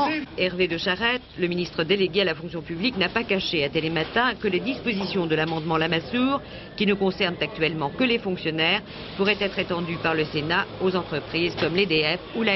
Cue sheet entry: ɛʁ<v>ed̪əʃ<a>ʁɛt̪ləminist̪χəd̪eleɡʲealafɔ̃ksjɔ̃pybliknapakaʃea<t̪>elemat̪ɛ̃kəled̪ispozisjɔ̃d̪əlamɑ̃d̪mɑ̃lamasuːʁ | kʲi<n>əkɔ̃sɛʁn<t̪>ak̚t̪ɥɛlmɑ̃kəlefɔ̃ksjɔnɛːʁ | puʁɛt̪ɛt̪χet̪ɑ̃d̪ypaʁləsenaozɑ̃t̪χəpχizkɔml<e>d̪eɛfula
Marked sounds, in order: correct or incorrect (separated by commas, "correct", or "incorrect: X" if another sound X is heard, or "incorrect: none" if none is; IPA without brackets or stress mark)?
correct, correct, correct, correct, correct, correct